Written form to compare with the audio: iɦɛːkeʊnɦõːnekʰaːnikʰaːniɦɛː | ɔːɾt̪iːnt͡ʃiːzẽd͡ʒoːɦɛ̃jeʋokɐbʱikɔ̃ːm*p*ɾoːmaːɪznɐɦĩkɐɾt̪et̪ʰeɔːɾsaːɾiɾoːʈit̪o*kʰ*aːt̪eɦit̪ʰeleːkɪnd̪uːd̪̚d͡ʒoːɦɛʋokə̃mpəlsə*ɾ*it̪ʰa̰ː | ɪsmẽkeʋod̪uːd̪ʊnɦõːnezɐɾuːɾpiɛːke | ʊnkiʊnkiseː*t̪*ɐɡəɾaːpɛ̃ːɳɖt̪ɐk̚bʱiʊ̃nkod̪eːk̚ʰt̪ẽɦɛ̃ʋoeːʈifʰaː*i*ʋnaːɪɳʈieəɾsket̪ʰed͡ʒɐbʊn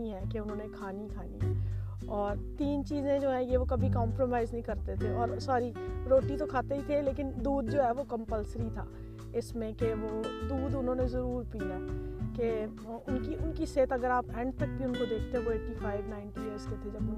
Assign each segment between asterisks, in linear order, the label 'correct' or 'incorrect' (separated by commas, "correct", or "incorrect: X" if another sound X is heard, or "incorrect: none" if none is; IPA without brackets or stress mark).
correct, correct, correct, correct, incorrect: ɪ